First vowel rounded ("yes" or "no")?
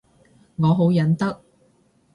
yes